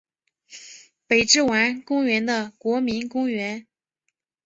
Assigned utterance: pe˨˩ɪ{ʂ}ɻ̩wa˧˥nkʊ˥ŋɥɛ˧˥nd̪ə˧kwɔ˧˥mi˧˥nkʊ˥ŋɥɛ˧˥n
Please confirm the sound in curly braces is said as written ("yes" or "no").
no